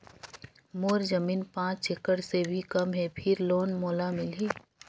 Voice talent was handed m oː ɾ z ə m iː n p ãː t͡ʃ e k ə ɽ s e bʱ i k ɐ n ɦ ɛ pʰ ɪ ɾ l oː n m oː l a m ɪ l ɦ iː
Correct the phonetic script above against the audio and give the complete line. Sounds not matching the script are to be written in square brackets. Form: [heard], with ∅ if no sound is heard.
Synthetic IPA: m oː ɾ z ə m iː n p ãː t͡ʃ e k ə ɽ s e bʱ i k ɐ [m] ɦ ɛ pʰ ɪ ɾ l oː n m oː l a m ɪ l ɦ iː